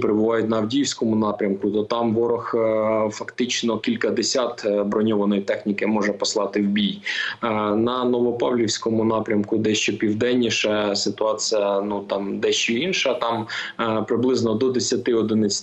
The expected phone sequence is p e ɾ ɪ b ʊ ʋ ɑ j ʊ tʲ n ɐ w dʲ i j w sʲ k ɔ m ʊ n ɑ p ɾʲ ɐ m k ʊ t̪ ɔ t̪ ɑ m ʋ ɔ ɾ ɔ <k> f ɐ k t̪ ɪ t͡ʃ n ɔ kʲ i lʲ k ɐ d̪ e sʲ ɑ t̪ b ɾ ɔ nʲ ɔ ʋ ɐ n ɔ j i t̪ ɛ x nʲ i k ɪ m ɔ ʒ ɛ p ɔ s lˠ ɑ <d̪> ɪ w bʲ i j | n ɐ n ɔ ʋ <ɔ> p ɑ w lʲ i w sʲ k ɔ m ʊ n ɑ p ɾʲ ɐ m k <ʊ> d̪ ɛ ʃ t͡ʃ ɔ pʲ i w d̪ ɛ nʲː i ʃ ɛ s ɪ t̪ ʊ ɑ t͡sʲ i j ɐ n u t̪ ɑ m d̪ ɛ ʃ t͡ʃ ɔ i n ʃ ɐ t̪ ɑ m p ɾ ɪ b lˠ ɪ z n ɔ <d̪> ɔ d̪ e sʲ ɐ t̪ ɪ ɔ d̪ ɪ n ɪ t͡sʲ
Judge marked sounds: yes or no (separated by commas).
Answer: no, no, yes, yes, yes